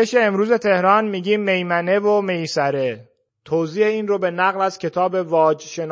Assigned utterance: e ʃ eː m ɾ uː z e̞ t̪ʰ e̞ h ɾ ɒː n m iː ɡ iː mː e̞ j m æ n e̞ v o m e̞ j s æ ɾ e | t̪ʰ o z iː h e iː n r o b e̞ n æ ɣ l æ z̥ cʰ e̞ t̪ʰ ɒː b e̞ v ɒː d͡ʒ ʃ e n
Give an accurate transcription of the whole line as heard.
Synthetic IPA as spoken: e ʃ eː m ɾ uː z e̞ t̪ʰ e̞ h ɾ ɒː n m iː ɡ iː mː e̞ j m æ n e̞ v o m e̞ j s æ ɾ e | t̪ʰ o z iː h e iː n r o b e̞ n æ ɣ l æ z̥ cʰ e̞ t̪ʰ ɒː b e̞ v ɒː d͡ʒ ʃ e n